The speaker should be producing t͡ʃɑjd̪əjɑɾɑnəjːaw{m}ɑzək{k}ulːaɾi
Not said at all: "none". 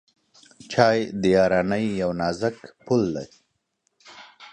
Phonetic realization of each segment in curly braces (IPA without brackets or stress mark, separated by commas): n, p